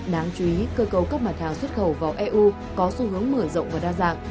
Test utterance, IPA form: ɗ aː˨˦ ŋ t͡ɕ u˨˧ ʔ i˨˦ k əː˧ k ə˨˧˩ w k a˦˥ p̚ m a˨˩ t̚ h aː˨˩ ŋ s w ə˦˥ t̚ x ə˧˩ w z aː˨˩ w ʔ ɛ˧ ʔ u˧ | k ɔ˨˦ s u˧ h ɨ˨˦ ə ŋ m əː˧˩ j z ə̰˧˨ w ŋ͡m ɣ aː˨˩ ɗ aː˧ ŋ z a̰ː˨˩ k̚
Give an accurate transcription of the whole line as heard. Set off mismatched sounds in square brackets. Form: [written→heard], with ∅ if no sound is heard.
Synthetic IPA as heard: ɗ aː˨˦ ŋ t͡ɕ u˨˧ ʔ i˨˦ k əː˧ k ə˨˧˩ w k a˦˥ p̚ m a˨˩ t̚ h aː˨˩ ŋ s w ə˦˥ t̚ x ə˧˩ w [z→v] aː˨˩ w ʔ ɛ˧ ʔ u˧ | k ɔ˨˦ s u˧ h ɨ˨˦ ə ŋ m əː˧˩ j z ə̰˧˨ w ŋ͡m [ɣ→v] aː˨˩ ɗ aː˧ [ŋ→∅] z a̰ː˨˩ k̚